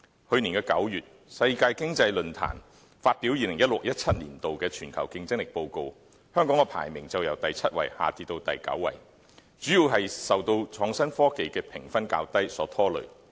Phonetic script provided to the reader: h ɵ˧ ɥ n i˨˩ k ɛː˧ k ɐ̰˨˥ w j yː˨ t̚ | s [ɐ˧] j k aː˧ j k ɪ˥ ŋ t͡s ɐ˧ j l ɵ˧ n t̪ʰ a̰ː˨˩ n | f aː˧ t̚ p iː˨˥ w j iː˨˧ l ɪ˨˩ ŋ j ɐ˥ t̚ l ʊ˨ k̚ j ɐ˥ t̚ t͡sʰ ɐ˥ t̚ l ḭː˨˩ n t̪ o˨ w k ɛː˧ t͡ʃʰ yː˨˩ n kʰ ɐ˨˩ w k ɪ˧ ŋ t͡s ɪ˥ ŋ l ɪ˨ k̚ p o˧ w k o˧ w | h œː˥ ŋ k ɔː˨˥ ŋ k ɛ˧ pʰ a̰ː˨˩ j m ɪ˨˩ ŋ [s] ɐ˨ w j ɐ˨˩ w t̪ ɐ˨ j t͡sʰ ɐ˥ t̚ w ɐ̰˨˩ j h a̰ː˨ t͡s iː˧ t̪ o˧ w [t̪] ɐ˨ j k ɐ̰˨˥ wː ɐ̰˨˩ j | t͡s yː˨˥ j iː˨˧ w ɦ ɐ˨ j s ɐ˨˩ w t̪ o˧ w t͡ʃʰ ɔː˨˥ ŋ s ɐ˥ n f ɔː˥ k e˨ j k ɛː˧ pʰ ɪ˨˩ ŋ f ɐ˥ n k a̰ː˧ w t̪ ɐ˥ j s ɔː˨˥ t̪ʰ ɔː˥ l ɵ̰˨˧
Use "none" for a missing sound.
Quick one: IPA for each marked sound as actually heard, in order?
ɐ˧, t͡s, t̪

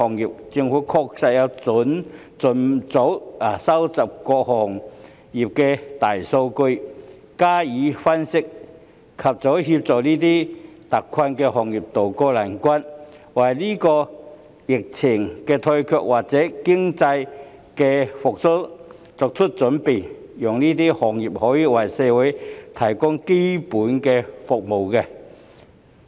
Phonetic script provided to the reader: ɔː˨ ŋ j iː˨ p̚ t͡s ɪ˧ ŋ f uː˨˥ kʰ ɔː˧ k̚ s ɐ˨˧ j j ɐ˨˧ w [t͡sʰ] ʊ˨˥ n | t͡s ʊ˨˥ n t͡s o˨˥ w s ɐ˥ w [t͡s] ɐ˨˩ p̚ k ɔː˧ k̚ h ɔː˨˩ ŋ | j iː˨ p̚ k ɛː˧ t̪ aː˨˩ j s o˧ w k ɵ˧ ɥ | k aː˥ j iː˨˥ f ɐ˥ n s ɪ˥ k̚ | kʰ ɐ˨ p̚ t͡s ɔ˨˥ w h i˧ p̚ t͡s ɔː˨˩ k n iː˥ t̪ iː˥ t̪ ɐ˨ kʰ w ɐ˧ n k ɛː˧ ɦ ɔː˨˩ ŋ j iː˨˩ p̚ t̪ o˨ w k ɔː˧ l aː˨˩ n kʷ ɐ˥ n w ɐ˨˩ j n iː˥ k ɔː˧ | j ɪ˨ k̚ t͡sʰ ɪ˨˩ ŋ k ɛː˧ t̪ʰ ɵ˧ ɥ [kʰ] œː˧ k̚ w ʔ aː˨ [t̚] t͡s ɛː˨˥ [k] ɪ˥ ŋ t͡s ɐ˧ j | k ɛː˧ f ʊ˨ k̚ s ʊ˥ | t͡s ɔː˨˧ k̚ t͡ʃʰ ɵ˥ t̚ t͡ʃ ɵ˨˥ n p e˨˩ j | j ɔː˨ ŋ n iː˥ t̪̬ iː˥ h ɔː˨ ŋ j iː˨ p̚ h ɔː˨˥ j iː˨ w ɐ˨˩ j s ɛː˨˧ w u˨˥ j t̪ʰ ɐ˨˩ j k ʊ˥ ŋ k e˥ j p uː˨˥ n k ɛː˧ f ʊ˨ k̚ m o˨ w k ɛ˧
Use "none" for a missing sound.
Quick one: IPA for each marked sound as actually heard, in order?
t͡s, t͡s, kʰ, k̚, k

